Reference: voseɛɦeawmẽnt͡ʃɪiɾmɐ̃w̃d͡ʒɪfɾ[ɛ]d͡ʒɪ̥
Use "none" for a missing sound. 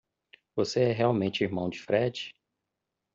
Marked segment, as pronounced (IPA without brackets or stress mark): ɛ